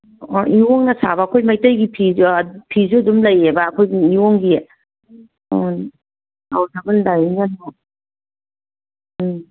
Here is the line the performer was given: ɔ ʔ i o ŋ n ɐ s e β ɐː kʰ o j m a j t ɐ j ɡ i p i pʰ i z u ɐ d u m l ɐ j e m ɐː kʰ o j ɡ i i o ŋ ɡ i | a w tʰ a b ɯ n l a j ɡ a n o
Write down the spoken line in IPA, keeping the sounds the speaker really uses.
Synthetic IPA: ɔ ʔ i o ŋ n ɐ s a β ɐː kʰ o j m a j t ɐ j ɡ i pʰ i pʰ i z u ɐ d u m l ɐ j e b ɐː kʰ o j ɡ i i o ŋ ɡ i | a w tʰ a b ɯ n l a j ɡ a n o